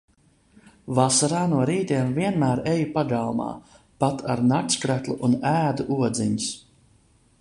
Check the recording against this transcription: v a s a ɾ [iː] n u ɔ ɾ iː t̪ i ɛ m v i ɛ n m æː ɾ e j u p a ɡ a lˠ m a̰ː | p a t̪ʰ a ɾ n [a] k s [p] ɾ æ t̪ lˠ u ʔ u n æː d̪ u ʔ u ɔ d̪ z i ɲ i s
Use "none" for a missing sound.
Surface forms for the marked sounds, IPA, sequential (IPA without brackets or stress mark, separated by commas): aː, a, k